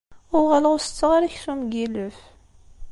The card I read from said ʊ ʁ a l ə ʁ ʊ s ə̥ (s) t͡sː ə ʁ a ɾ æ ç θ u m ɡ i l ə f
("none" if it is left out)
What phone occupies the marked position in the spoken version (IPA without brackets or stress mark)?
none